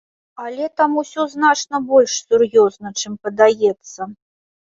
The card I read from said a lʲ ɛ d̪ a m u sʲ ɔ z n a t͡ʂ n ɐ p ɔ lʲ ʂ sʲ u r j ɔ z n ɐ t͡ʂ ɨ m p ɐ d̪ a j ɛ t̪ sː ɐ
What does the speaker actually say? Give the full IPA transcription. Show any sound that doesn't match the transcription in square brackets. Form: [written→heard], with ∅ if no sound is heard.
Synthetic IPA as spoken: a lʲ ɛ [d̪→t̪] a m u sʲ ɔ z n a t͡ʂ n ɐ [p→b] ɔ lʲ ʂ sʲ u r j ɔ z n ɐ t͡ʂ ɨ m p ɐ d̪ a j ɛ t̪ sː ɐ